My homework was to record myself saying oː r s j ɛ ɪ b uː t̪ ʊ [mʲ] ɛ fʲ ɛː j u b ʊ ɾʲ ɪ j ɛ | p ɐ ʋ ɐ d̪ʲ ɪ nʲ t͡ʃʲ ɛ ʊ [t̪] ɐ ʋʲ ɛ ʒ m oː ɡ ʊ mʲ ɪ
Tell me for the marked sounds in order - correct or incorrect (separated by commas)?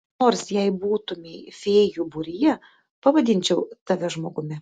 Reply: correct, correct